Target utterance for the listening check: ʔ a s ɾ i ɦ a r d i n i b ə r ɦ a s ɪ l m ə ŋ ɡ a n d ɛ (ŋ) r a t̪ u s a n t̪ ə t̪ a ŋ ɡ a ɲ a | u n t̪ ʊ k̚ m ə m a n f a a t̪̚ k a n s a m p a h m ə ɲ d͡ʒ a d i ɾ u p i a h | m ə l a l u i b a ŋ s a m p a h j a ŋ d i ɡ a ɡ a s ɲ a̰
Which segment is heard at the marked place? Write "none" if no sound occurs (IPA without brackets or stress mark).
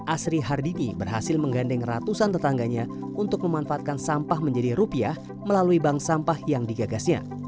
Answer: ŋ